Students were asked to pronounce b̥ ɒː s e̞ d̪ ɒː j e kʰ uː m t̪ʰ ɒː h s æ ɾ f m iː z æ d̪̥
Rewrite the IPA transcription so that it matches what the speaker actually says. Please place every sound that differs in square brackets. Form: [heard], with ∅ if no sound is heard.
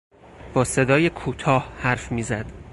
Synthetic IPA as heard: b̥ ɒː s e̞ d̪ ɒː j e kʰ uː [∅] t̪ʰ ɒː h [h] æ ɾ f m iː z æ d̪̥